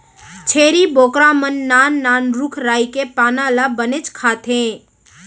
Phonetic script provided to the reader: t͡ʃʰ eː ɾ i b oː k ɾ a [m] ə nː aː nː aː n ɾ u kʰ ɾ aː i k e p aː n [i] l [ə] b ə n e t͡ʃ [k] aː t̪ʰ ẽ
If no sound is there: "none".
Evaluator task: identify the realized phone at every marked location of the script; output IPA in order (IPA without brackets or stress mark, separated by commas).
m, a, a, kʰ